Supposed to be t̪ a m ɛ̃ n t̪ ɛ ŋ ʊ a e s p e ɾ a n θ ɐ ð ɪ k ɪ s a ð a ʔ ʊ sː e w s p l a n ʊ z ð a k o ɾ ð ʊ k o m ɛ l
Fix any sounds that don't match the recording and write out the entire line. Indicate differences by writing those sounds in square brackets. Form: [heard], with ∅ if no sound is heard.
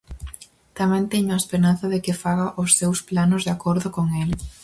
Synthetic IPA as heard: t̪ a m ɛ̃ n t̪ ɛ [ɲ] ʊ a e s p e ɾ a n θ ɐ ð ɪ k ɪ [f] a [ɣ] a ʔ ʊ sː e w s p l a n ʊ z ð a k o ɾ ð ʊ k o [ŋ] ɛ l